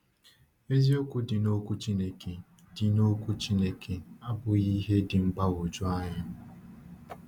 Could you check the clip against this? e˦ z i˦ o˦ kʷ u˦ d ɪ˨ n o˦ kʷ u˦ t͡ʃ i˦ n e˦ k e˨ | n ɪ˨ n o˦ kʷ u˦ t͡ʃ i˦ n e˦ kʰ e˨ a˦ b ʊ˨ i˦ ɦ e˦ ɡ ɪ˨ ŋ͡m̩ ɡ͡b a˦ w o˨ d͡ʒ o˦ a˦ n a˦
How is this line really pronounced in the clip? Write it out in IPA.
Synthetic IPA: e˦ z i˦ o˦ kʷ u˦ d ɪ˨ n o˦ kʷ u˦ t͡ʃ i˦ n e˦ k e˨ | d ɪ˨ n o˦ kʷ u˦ t͡ʃ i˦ n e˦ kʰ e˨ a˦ b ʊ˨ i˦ ɦ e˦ d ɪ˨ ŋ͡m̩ ɡ͡b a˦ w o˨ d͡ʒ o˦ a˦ ɲ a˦